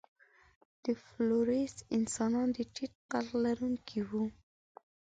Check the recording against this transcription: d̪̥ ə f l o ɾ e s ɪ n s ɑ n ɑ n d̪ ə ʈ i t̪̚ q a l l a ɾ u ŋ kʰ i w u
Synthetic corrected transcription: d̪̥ ə f l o ɾ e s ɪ n s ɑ n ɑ n d̪ ə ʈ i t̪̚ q a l l a ɾ u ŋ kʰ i w u